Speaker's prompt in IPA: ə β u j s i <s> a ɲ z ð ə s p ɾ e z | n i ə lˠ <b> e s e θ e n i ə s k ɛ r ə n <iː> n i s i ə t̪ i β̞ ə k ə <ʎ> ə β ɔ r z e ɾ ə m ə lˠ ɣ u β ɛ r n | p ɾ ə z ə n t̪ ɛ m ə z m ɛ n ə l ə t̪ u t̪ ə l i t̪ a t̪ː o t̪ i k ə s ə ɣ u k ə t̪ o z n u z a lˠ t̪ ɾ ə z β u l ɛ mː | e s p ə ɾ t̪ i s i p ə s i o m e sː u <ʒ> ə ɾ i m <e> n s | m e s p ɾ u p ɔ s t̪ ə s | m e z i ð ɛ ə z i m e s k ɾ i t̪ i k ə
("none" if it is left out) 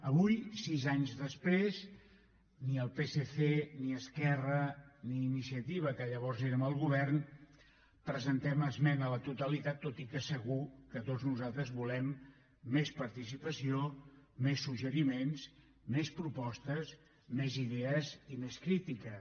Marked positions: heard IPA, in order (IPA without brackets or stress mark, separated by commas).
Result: z, p, iː, ʎ, ʒ, e